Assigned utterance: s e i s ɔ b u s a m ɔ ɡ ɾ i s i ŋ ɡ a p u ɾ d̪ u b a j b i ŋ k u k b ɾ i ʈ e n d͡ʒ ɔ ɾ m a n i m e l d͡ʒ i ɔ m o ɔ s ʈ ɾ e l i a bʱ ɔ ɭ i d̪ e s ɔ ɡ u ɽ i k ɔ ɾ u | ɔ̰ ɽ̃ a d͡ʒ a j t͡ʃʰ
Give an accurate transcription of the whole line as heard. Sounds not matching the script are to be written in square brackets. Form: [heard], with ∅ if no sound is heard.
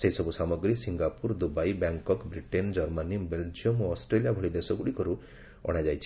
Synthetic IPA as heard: s e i s ɔ b u s a m ɔ ɡ ɾ i s i ŋ ɡ a p u ɾ d̪ u b a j b [a] ŋ k [ɔ] k b ɾ i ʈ e n d͡ʒ ɔ ɾ m a n i [b] e l d͡ʒ i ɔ m o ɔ s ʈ ɾ e l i a bʱ ɔ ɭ i d̪ e s ɔ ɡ u ɽ i k ɔ ɾ u | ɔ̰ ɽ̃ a d͡ʒ a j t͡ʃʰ

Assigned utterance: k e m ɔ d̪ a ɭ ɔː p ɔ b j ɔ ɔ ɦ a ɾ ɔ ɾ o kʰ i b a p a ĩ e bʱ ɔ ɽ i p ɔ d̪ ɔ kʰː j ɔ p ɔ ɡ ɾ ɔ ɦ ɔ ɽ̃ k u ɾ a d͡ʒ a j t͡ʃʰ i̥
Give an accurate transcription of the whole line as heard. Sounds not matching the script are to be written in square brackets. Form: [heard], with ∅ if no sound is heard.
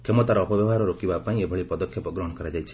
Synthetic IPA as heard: k e m ɔ [t̪] a [ɾ] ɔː p ɔ b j ɔ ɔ ɦ a ɾ ɔ ɾ o [k] i b a p a ĩ e bʱ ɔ [ɭ] i p ɔ d̪ ɔ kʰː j ɔ p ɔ ɡ ɾ ɔ ɦ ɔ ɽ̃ k [ɔ] ɾ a d͡ʒ a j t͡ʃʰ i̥

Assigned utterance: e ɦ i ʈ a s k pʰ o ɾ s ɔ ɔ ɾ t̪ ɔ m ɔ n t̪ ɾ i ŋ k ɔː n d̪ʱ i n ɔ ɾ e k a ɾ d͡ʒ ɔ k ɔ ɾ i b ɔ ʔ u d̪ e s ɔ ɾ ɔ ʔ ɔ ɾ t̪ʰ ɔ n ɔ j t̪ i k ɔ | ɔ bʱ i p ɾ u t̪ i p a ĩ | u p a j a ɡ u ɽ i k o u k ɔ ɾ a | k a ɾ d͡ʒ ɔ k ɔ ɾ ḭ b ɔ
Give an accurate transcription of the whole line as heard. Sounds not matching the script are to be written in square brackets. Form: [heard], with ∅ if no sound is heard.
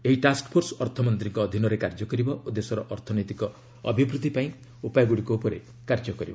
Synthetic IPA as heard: e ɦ i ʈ a s k pʰ o ɾ s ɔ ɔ ɾ [t̪ʰ] ɔ m ɔ n t̪ ɾ i ŋ k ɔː [∅] d̪ʱ i n ɔ ɾ e k a ɾ d͡ʒ ɔ k ɔ ɾ i b ɔ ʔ u d̪ e s ɔ ɾ ɔ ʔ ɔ ɾ t̪ʰ ɔ n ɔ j t̪ i k ɔ | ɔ bʱ i [b] ɾ u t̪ i p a ĩ | u p a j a ɡ u ɽ i k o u [p] ɔ ɾ [e] | k a ɾ d͡ʒ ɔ k ɔ ɾ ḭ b ɔ

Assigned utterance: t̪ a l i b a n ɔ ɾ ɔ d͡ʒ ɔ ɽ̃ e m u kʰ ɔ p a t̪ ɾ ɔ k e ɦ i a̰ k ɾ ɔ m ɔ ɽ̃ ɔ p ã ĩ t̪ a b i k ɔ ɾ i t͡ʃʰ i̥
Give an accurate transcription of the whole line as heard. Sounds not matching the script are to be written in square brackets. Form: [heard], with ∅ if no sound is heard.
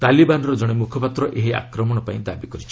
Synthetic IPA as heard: t̪ a l i b a n ɔ ɾ ɔ d͡ʒ ɔ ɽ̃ e m u kʰ ɔ p a t̪ ɾ ɔ [ʔ] e ɦ i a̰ k ɾ ɔ m ɔ ɽ̃ ɔ p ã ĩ [d̪] a b i k ɔ ɾ i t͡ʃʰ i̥

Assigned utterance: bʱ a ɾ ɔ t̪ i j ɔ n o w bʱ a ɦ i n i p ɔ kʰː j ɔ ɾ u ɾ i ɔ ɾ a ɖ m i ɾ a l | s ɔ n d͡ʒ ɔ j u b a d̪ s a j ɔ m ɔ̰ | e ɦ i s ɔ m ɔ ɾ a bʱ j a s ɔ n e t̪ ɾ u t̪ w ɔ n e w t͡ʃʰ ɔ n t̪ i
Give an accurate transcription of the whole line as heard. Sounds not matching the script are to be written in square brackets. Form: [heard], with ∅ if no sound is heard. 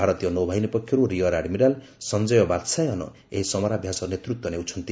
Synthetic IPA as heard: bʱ a ɾ ɔ t̪ i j ɔ n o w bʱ a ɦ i n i p ɔ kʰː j ɔ ɾ u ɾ i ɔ ɾ a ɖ m i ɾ a l | s ɔ n d͡ʒ ɔ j [ɔ] b a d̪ s a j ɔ [n] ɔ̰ | e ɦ i s ɔ m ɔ ɾ a bʱ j a s ɔ n e t̪ ɾ u t̪ w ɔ n e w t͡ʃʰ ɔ n t̪ i

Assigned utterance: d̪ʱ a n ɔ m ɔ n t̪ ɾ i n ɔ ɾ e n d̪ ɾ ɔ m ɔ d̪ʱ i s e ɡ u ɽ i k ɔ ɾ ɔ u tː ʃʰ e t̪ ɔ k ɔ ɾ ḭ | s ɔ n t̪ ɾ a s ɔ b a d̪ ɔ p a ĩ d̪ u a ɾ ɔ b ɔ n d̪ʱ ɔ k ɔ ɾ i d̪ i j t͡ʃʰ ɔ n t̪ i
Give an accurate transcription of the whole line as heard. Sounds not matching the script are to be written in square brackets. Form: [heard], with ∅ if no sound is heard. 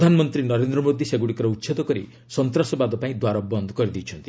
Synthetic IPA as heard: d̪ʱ a n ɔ m ɔ n t̪ ɾ i n ɔ ɾ e n d̪ ɾ ɔ m [o] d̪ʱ i s e ɡ u ɽ i k ɔ ɾ ɔ u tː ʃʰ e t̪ ɔ k ɔ ɾ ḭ | s ɔ n t̪ ɾ a s ɔ b a d̪ ɔ p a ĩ d̪ [w] a ɾ ɔ b ɔ n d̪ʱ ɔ k ɔ ɾ i d̪ i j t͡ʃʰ ɔ n t̪ i

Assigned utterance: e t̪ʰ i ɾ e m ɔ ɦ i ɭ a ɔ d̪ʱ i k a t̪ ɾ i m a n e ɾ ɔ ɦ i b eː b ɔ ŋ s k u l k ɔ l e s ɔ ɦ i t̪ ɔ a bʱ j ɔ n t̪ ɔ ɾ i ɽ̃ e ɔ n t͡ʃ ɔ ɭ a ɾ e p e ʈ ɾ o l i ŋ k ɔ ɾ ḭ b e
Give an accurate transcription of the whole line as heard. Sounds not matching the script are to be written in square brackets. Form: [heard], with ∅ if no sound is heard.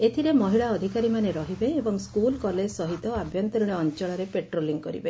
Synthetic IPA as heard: e t̪ʰ i ɾ e m ɔ ɦ i ɭ a ɔ d̪ʱ i k a [∅] ɾ i m a n e ɾ ɔ ɦ i b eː b ɔ ŋ s k u l k ɔ l e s ɔ ɦ i t̪ ɔ a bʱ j ɔ n t̪ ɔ ɾ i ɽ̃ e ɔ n t͡ʃ ɔ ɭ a ɾ e p e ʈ ɾ o l i ŋ k ɔ ɾ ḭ b e

